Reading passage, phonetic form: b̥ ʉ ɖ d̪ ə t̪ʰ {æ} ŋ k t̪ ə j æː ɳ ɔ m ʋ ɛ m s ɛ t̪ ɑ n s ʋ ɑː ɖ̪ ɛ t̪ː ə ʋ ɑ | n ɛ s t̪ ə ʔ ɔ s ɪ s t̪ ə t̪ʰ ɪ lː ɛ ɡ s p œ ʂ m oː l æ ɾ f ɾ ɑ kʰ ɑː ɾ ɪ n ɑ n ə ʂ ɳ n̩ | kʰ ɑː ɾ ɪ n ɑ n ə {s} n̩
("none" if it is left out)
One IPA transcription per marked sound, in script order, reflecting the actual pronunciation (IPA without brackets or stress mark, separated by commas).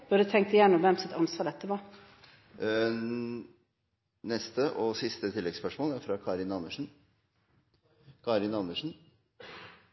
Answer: ɛ, ʂ